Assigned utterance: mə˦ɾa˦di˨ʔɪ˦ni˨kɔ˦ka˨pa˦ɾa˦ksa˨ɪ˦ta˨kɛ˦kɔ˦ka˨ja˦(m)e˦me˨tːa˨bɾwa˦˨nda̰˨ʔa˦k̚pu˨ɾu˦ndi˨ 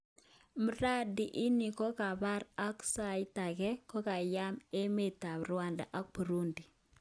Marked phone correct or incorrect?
correct